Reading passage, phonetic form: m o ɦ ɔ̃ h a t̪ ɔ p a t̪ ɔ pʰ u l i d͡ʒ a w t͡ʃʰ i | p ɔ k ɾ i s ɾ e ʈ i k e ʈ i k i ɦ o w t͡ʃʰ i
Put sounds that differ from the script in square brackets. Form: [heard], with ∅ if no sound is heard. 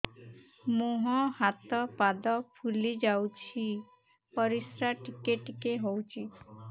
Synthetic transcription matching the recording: m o ɦ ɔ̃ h a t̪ ɔ p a [d̪] ɔ pʰ u l i d͡ʒ a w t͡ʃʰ i | p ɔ [∅] ɾ i s ɾ [a] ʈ i k e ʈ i k [e] ɦ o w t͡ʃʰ i